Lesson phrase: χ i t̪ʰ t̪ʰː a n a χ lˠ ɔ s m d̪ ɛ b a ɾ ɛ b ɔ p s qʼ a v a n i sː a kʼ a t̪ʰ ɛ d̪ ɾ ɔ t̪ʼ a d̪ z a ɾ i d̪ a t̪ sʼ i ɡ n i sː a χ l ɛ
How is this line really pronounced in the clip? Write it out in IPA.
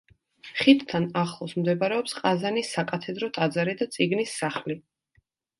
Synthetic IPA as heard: χ i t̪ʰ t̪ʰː a n a χ lˠ ɔ s m d̪ ɛ b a ɾ ɛ ɔ p s qʼ a z a n i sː a kʼ a t̪ʰ ɛ d̪ ɾ ɔ t̪ʼ a d̪ z a ɾ i d̪ a t̪ sʼ i ɡ n i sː a χ l i